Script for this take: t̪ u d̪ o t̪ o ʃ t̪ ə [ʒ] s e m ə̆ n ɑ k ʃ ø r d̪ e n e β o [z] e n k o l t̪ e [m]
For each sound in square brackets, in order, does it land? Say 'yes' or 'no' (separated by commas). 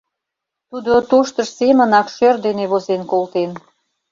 no, yes, no